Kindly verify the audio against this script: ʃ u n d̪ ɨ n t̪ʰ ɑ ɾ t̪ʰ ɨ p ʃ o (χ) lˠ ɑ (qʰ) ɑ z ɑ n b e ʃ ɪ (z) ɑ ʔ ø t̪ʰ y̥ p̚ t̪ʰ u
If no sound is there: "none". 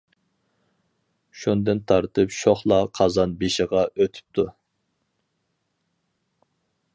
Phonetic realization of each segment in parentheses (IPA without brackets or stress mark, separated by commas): χ, qʰ, ʁ